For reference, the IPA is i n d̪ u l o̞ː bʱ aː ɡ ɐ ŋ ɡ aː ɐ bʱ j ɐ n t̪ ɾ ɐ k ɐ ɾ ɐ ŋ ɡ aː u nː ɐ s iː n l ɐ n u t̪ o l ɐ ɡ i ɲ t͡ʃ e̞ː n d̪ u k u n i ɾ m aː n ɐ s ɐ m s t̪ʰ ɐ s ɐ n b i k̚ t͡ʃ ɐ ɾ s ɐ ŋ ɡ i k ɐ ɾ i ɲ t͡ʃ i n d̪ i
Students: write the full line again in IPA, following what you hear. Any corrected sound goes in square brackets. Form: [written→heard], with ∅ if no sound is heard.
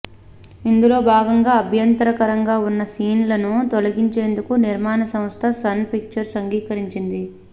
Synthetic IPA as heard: i n d̪ u l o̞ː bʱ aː ɡ ɐ ŋ ɡ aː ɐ bʱ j ɐ n t̪ ɾ ɐ k ɐ ɾ ɐ ŋ ɡ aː u nː ɐ s iː n l ɐ n u t̪ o l ɐ ɡ i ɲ t͡ʃ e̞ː n d̪ u k u n i ɾ m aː n ɐ s ɐ m s t̪ʰ ɐ s ɐ n [b→p] i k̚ t͡ʃ ɐ ɾ s ɐ ŋ ɡ [i→iː] k ɐ ɾ i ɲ t͡ʃ i n d̪ i